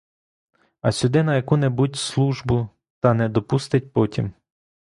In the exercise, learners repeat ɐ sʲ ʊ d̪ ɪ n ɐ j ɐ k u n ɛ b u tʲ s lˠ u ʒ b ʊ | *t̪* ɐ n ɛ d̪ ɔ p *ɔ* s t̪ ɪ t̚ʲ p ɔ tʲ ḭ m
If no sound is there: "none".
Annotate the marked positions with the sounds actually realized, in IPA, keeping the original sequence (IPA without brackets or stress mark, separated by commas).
t̪, u